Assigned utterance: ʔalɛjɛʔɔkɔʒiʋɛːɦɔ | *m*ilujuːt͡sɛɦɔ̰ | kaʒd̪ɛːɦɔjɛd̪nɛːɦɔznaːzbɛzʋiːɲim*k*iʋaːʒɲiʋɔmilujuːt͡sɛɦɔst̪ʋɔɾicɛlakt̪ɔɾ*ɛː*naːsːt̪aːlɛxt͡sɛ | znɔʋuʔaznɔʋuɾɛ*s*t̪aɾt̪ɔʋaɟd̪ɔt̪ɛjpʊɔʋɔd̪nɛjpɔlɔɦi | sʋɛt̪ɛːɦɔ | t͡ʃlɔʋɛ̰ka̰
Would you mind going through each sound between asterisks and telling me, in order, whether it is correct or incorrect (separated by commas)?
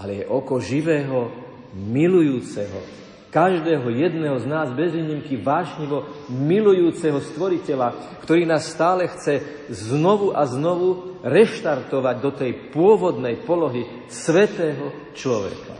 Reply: correct, correct, incorrect, incorrect